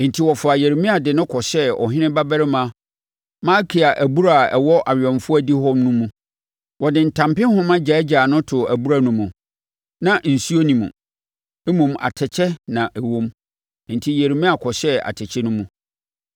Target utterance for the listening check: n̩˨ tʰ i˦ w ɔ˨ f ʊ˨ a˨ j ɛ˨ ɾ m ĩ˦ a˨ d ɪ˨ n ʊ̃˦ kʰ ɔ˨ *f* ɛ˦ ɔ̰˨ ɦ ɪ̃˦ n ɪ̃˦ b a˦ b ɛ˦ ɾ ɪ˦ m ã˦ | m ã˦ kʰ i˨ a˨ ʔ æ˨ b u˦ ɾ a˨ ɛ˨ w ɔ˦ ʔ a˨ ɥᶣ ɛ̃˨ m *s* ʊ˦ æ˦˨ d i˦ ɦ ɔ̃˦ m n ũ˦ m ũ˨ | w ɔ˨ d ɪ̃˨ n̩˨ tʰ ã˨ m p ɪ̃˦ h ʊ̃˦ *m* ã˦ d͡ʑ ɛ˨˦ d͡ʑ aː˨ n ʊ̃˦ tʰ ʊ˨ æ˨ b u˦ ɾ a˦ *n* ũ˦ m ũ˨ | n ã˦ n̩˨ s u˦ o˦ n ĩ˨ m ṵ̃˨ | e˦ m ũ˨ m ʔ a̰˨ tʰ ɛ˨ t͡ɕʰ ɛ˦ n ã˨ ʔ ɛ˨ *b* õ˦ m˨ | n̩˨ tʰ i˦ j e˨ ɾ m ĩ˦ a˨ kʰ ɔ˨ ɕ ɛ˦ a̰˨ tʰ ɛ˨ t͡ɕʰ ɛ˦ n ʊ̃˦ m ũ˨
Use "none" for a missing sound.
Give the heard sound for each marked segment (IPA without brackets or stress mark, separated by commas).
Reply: ɕ, f, m, n, w